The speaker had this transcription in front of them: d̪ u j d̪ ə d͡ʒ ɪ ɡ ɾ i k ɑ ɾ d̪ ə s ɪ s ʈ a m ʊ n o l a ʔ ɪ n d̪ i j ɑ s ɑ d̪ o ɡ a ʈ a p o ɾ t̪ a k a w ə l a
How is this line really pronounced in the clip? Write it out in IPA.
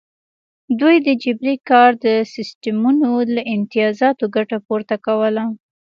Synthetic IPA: d̪ u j d̪ ə d͡ʒ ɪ b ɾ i k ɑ ɾ d̪ ə s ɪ s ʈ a m u n o l a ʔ ɪ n t̪ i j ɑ z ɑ t̪ o ɡ a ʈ a p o ɾ t̪ a k a w ə l a